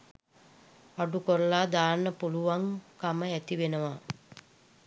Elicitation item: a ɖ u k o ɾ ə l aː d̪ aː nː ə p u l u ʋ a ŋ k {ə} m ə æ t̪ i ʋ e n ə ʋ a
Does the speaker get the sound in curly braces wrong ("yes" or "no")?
yes